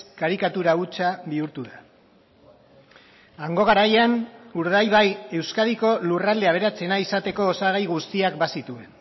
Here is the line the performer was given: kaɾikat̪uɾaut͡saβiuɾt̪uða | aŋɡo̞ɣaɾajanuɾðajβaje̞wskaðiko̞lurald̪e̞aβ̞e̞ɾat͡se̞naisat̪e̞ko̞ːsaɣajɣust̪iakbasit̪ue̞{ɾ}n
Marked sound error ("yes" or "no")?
yes